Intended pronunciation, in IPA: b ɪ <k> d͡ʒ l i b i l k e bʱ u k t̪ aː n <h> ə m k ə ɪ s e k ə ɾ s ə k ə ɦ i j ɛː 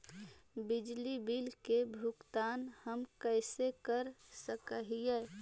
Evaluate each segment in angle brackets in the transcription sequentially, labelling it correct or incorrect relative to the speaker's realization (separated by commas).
incorrect, correct